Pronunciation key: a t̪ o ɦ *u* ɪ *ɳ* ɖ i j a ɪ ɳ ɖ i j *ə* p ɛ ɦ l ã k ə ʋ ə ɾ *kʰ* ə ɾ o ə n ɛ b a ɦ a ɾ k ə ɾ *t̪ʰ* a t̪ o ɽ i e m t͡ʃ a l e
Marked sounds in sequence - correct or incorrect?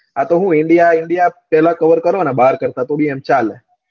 incorrect: ũ, correct, incorrect: a, incorrect: k, incorrect: t̪

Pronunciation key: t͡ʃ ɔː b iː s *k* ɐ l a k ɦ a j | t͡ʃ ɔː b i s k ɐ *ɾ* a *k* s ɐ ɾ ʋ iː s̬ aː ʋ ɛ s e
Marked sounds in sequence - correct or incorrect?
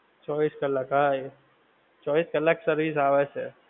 correct, incorrect: l, correct

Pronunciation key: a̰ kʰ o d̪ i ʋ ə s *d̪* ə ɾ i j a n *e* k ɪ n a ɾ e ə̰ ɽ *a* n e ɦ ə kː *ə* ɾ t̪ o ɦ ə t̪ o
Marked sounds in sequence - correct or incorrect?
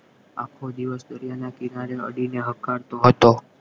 correct, incorrect: a, incorrect: i, incorrect: a

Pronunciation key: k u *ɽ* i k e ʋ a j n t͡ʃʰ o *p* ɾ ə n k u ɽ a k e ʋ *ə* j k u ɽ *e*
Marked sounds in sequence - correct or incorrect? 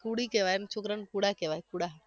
correct, incorrect: k, incorrect: a, incorrect: a

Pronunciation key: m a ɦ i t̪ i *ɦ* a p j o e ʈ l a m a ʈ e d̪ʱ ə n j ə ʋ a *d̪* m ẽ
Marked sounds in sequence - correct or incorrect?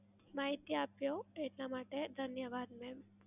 incorrect: none, correct

